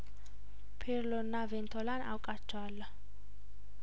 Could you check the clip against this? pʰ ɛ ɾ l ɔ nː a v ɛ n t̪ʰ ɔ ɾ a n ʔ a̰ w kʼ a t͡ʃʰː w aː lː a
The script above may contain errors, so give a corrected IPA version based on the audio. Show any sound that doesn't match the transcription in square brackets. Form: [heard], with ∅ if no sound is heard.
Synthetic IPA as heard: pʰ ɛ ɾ l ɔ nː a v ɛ n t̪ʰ ɔ [l] a n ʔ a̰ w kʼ a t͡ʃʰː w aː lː a